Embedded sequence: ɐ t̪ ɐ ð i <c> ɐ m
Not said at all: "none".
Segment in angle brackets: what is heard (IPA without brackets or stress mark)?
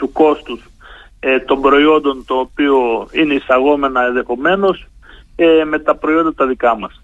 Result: k